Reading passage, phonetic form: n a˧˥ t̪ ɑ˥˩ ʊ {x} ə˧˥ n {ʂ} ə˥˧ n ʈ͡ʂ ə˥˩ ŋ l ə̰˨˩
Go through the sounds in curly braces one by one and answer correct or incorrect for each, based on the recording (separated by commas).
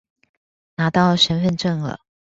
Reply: incorrect, incorrect